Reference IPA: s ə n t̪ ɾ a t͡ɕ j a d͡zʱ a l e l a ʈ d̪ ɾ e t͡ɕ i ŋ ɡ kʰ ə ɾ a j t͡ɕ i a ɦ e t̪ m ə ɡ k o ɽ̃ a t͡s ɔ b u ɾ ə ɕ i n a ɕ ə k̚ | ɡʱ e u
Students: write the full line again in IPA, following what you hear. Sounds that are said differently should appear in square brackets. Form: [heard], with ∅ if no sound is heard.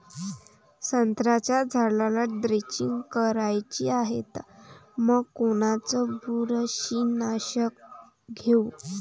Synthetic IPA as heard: s ə n t̪ ɾ a t͡ɕ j a d͡zʱ a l [a] l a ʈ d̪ ɾ e t͡ɕ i ŋ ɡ [k] ə ɾ a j t͡ɕ i a ɦ e t̪ m ə ɡ k o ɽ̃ a t͡s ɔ b u ɾ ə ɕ i n a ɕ ə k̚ | ɡʱ e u